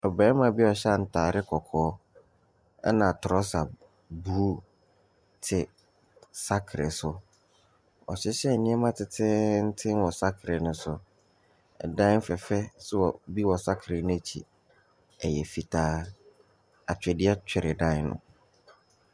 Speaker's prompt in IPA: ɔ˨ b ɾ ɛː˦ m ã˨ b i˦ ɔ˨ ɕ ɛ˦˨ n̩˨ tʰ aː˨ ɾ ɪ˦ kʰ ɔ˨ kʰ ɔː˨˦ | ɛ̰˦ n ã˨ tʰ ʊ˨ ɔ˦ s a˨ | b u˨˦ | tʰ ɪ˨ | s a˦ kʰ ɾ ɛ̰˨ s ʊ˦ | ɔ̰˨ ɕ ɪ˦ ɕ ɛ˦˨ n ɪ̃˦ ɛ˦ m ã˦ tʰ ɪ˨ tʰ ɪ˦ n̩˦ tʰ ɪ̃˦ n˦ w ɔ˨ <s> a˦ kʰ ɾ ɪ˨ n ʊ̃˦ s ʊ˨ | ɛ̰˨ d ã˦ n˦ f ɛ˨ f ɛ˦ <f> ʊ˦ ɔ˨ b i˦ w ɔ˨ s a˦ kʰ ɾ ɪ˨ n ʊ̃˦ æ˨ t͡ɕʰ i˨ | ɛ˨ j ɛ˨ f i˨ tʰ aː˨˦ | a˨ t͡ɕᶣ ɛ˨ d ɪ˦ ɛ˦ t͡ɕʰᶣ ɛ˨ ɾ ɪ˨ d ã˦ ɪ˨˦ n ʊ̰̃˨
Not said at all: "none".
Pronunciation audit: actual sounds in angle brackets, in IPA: s, s

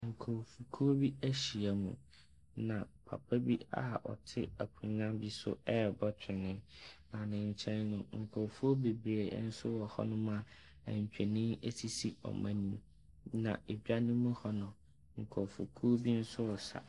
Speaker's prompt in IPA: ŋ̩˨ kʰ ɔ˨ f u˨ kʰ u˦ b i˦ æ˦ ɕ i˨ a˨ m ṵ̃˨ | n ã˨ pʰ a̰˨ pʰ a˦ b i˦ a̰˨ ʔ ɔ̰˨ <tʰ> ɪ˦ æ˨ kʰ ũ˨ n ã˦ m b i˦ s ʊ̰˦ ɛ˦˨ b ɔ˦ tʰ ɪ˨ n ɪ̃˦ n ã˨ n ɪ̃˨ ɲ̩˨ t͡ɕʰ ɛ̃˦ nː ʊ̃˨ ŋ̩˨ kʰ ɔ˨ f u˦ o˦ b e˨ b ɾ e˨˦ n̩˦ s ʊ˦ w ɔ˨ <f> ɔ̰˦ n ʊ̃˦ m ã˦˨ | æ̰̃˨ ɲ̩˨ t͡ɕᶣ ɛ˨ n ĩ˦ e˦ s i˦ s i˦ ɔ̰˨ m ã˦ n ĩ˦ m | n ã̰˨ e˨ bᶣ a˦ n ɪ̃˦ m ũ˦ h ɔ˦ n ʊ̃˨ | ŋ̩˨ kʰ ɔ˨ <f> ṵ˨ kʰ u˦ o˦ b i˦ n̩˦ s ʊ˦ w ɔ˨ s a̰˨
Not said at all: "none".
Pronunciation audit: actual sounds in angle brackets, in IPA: tʰ, h, f

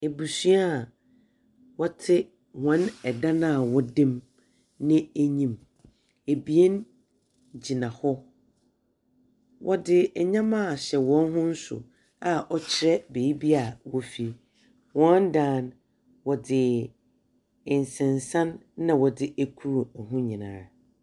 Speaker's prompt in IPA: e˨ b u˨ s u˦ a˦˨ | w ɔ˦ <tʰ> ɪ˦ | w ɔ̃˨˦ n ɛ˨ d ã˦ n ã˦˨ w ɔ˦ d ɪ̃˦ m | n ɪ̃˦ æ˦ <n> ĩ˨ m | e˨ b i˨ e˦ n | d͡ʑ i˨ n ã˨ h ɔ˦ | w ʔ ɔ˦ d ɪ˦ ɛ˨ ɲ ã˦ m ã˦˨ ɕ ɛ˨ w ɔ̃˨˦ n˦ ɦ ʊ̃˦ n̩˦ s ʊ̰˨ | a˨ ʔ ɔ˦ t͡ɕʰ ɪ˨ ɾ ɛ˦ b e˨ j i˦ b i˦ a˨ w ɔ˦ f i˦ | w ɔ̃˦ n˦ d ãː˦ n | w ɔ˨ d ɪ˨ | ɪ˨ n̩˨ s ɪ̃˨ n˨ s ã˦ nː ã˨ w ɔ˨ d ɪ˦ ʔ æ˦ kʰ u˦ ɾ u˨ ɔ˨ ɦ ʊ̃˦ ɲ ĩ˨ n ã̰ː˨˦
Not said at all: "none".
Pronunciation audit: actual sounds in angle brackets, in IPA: tʰ, ɲ

